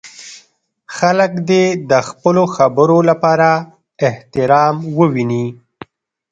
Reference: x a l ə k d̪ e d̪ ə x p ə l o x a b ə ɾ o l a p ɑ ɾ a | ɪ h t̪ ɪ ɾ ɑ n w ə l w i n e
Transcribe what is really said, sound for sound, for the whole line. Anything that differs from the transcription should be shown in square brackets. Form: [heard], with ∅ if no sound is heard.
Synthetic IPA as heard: x a l ə k d̪ e d̪ ə x p ə l o x a b ə ɾ o l a p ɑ ɾ a | ɪ h t̪ ɪ ɾ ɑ [m] w ə [∅] w i n [i]